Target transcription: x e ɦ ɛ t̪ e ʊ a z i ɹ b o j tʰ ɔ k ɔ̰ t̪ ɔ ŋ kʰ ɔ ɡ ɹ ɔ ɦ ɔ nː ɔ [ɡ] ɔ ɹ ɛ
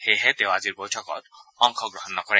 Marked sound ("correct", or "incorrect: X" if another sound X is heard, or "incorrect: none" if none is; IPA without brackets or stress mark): incorrect: k